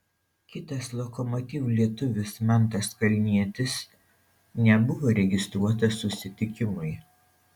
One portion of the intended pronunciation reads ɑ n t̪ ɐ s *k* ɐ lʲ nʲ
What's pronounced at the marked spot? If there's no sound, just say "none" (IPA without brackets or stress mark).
k